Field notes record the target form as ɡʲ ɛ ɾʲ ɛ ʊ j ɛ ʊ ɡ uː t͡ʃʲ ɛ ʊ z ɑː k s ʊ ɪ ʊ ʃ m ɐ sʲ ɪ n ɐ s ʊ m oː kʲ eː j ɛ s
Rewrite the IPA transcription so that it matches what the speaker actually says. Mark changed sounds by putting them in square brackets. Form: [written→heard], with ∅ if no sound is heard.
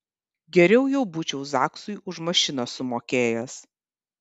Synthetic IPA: ɡʲ ɛ ɾʲ ɛ ʊ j ɛ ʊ [ɡ→b] uː t͡ʃʲ ɛ ʊ z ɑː k s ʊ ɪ ʊ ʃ m ɐ [sʲ→ʃʲ] ɪ n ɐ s ʊ m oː kʲ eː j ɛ s